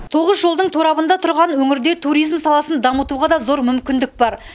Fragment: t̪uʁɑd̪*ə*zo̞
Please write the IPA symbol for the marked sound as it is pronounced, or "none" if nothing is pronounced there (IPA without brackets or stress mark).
ɑ